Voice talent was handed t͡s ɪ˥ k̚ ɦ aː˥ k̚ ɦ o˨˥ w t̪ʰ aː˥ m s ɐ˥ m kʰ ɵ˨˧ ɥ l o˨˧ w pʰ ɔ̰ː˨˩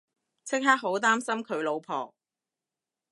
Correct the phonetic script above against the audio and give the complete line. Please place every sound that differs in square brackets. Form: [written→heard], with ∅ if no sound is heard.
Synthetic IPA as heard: [t͡s→t͡sʰ] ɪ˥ k̚ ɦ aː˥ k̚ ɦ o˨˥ w [t̪ʰ→t̪] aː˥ m s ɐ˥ m kʰ ɵ˨˧ ɥ l o˨˧ w pʰ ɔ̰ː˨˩